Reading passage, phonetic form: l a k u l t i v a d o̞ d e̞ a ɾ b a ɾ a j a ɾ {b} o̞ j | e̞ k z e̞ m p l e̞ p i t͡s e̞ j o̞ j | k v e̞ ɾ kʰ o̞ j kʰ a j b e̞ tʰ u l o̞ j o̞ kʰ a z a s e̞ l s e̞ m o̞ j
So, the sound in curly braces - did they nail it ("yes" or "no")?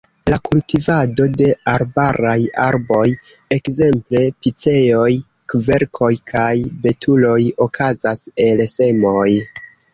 yes